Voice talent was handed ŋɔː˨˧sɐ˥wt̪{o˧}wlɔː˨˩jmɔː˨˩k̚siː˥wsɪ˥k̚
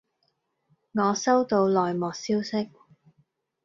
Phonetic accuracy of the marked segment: correct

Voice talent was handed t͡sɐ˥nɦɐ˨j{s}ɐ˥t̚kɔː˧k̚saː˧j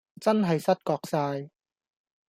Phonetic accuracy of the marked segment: correct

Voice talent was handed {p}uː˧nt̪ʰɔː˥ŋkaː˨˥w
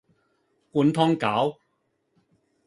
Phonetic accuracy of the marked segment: incorrect: k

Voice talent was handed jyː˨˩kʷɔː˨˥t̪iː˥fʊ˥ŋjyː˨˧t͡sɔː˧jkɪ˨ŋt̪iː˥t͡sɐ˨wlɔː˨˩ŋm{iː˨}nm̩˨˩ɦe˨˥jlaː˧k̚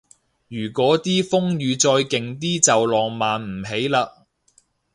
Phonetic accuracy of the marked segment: incorrect: aː˨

